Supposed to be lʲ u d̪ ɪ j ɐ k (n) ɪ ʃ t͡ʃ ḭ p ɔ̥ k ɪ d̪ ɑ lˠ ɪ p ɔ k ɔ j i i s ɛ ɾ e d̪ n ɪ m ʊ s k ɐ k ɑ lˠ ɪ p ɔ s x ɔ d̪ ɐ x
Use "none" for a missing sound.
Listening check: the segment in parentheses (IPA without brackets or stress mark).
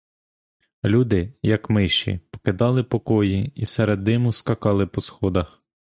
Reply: m